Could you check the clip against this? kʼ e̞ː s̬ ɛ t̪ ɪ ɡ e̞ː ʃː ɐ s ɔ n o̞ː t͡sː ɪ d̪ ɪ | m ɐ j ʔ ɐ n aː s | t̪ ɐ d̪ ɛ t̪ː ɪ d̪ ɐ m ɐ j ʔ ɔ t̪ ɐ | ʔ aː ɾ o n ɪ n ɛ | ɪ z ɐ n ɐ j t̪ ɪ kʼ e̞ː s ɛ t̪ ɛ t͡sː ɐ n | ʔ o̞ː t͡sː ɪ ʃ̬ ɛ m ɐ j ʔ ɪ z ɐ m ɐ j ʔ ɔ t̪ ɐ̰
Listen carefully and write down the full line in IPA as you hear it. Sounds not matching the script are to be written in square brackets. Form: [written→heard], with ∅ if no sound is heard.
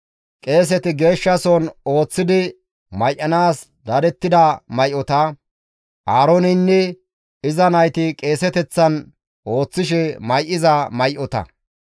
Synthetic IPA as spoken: kʼ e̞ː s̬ ɛ t̪ ɪ ɡ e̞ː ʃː ɐ s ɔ n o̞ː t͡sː ɪ d̪ ɪ | m ɐ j ʔ ɐ n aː s | [t̪→d̪] ɐ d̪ ɛ t̪ː ɪ d̪ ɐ m ɐ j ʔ ɔ t̪ ɐ | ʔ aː ɾ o n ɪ [n→nː] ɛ | ɪ z ɐ n ɐ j t̪ ɪ kʼ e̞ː s ɛ t̪ ɛ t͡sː ɐ n | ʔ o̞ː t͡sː ɪ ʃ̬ ɛ m ɐ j ʔ ɪ z ɐ m ɐ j ʔ ɔ t̪ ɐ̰